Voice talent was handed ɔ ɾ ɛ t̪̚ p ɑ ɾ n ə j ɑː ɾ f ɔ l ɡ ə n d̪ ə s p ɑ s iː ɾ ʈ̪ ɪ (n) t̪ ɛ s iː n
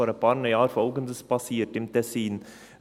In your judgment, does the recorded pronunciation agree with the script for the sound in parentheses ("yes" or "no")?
no